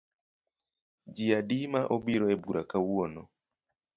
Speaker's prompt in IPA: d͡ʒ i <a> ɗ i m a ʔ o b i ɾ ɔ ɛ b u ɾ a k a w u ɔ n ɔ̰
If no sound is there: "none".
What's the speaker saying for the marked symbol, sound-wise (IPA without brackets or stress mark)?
a